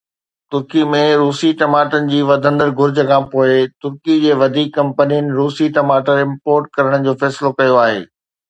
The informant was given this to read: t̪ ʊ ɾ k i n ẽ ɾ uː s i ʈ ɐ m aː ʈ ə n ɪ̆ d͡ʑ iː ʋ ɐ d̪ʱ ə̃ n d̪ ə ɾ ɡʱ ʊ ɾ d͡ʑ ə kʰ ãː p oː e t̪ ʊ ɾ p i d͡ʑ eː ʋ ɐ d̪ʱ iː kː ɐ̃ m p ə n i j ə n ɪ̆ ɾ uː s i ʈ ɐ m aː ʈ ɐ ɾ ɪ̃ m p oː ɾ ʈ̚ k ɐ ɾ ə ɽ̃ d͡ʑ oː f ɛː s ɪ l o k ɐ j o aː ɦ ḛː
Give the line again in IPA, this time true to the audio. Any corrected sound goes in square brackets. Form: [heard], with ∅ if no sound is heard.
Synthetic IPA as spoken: t̪ ʊ ɾ k i [m] ẽ ɾ uː s i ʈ ɐ m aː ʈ ə n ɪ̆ d͡ʑ iː ʋ ɐ d̪ʱ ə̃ n d̪ ə ɾ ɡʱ ʊ ɾ d͡ʑ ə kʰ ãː p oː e t̪ ʊ ɾ [k] i d͡ʑ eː ʋ ɐ d̪ʱ iː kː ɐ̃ m p ə n i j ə n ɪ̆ ɾ uː s i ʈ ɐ m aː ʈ [ə] ɾ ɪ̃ m p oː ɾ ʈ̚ k ɐ ɾ ə ɽ̃ d͡ʑ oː f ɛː s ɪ l o k ɐ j o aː ɦ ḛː